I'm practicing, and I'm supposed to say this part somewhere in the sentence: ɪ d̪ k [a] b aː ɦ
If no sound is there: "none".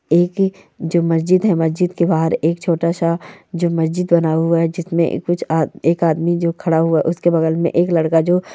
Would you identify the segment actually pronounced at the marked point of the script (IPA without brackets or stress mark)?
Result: e